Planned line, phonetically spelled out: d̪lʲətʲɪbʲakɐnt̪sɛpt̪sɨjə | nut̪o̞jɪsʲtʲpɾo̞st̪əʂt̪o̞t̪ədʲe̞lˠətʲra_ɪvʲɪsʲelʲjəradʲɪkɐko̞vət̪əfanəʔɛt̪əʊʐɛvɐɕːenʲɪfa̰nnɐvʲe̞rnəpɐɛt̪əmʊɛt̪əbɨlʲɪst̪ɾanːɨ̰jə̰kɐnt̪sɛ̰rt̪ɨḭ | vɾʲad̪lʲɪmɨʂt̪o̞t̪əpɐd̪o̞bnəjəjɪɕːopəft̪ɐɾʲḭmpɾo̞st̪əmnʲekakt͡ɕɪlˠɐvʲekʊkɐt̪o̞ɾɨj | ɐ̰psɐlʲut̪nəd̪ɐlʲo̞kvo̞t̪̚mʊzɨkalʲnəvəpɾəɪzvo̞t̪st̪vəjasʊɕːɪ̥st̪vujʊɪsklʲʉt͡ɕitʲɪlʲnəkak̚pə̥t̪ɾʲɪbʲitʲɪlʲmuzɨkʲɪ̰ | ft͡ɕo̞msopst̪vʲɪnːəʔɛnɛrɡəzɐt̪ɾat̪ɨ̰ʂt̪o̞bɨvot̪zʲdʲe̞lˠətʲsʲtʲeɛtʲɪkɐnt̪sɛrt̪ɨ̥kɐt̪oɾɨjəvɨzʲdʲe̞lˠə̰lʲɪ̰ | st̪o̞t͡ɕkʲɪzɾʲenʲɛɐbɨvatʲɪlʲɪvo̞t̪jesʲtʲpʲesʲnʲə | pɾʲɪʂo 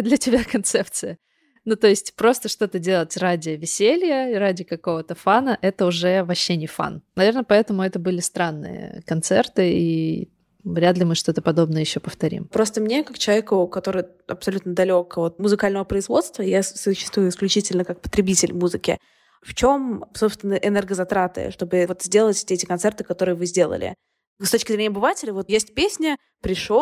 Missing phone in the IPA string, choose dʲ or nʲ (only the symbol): dʲ